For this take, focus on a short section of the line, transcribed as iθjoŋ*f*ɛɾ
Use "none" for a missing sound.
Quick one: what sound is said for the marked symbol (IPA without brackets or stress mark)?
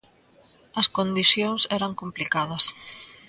s